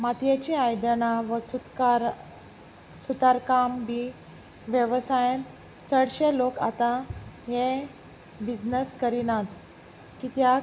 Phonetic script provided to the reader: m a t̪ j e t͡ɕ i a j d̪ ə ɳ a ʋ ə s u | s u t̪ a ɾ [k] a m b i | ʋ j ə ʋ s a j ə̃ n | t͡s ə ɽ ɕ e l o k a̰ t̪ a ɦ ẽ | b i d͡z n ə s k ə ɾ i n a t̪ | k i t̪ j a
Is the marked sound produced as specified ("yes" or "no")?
yes